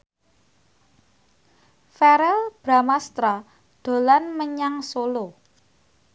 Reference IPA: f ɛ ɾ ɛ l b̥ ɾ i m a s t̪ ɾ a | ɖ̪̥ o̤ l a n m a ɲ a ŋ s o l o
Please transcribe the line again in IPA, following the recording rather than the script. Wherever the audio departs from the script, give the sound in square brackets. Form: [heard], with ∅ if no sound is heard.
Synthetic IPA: f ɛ ɾ ɛ l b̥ ɾ [a] m a s t̪ ɾ a | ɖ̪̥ o̤ l a n m [ə] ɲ a ŋ s o l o